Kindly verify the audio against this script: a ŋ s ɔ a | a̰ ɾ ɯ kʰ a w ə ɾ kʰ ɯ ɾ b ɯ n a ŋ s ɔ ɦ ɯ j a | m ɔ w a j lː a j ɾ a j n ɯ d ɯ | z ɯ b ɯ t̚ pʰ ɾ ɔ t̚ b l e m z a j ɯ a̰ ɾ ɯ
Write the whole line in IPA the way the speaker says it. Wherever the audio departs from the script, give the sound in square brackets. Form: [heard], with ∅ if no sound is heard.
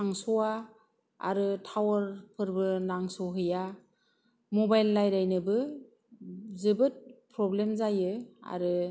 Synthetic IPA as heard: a ŋ s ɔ a | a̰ ɾ ɯ [tʰ] a w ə ɾ [pʰ] ɯ ɾ b ɯ n a ŋ s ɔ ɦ ɯ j a | m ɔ [b] a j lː a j ɾ a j n ɯ [b] ɯ | z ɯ b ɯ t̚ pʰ ɾ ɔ [∅] b l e m z a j ɯ a̰ ɾ ɯ